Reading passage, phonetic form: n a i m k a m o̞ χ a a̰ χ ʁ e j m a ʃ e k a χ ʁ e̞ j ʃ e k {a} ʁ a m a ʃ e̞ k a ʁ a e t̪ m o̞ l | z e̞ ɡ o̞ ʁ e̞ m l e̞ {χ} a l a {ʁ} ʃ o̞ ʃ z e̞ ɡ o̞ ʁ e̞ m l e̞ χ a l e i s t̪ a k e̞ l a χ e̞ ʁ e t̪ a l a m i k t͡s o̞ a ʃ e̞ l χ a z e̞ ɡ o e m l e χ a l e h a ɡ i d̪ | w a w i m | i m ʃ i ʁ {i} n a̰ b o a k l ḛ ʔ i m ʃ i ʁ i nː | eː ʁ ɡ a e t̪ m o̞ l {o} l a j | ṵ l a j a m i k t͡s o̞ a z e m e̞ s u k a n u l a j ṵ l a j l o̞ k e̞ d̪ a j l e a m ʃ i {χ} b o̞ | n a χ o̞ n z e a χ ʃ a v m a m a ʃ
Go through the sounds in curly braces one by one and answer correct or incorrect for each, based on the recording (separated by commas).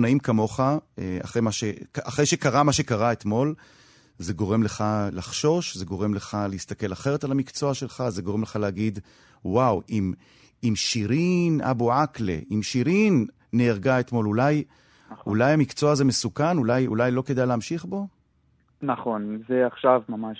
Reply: correct, correct, incorrect, correct, incorrect, correct